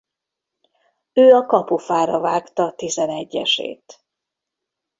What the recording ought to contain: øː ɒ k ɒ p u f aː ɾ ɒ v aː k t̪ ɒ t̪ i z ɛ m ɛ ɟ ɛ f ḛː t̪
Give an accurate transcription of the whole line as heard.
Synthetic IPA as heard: øː ɒ k ɒ p u f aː ɾ ɒ v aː k t̪ ɒ t̪ i z ɛ n ɛ ɟː ɛ ʃ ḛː t̪